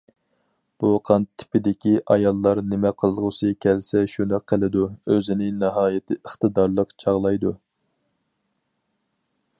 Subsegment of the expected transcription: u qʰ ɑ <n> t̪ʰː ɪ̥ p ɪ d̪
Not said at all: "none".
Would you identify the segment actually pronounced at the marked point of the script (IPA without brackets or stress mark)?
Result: n